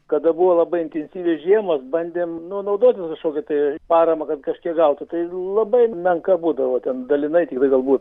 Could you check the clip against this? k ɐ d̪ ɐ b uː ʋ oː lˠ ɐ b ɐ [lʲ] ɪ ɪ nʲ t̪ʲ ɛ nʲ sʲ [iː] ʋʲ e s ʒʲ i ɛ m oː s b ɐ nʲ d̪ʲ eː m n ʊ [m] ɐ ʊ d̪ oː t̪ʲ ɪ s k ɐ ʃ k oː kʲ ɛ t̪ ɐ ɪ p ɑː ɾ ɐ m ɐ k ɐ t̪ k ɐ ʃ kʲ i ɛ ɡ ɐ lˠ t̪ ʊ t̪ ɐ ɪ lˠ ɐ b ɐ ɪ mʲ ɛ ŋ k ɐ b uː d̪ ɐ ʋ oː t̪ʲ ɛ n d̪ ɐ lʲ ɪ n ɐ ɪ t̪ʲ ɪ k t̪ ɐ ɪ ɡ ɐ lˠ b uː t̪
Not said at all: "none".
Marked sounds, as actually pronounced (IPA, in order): none, iː, n

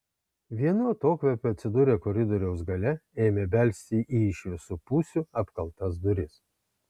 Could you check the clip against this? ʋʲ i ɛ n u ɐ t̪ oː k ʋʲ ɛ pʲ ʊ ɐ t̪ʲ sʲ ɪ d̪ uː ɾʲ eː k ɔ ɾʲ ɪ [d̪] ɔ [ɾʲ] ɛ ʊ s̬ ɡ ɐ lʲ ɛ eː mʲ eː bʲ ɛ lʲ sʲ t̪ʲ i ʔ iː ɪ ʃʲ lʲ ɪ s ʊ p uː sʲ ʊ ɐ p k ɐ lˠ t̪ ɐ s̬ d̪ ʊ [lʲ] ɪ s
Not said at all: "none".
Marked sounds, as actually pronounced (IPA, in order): d̪, ɾʲ, ɾʲ

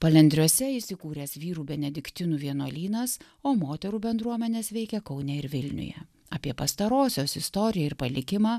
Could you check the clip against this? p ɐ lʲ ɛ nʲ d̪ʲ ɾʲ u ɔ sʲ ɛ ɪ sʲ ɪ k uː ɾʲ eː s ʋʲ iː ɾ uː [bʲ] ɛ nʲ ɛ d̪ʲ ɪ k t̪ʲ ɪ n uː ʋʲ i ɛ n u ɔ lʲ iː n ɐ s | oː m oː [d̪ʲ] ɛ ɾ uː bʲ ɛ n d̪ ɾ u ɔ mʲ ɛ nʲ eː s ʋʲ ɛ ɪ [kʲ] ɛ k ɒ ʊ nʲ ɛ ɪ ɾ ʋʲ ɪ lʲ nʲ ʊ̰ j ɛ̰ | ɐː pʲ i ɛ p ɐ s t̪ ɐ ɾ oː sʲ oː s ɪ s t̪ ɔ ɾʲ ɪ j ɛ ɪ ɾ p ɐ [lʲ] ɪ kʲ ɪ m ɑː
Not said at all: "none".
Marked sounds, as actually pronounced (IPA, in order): bʲ, t̪ʲ, kʲ, lʲ

